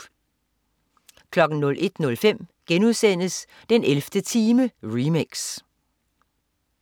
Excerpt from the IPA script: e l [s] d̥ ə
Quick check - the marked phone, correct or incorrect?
incorrect